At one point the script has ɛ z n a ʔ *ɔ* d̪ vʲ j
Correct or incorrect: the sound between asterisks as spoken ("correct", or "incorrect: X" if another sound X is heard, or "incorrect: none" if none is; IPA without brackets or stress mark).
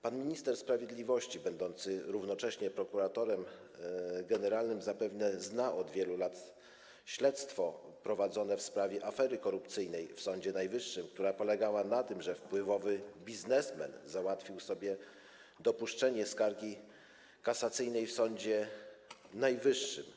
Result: correct